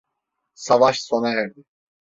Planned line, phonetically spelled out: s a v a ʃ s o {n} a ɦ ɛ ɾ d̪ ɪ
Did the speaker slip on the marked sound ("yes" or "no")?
no